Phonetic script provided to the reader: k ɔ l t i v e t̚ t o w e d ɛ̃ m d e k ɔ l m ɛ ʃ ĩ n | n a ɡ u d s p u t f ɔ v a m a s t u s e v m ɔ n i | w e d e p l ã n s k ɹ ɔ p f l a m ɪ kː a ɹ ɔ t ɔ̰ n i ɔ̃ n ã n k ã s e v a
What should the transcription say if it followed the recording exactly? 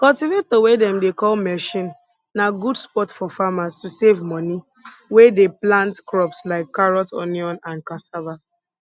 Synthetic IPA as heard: k ɔ l t i v e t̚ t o w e d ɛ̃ m d e k ɔ l m ɛ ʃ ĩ n | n a ɡ u d s p ɔ t f ɔ f a m a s t u s e v m ɔ n i | w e d e p l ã n t k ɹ ɔ p s l a ɪ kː a ɹ ɔ t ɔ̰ n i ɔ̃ n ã n k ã s a v a